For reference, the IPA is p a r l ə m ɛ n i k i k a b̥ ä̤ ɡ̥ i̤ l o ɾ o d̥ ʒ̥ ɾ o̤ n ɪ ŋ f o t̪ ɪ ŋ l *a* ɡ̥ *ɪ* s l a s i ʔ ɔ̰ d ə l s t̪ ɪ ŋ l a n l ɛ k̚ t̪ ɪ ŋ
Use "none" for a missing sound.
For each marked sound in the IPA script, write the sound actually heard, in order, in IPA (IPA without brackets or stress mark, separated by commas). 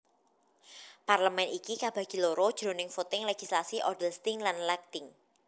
e, i